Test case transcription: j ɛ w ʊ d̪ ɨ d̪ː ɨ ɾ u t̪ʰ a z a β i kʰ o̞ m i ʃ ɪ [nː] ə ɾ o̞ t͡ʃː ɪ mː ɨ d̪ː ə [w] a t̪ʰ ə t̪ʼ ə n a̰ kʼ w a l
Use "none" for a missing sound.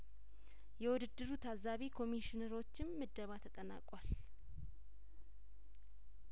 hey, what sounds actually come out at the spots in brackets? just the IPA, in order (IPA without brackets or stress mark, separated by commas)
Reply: n, β